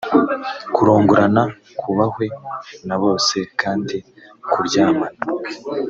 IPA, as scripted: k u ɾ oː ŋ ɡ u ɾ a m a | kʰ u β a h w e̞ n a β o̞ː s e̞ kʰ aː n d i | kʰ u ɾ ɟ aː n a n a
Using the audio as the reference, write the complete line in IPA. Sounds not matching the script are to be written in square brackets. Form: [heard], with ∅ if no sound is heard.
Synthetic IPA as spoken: k u ɾ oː ŋ ɡ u ɾ a [n] a | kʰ u β a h w e̞ n a β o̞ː s e̞ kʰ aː n d i | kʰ u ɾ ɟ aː [m] a n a